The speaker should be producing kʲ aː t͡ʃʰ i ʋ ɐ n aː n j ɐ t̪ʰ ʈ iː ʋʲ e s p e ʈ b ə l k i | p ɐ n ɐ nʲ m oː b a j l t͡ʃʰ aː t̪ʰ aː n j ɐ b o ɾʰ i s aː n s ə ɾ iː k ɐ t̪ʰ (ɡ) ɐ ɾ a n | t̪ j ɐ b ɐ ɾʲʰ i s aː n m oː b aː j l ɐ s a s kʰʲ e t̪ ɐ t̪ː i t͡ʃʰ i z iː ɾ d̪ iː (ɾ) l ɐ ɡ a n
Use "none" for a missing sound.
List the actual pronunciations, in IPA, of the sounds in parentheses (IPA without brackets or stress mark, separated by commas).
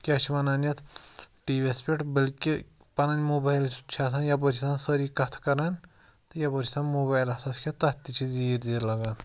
k, ɾ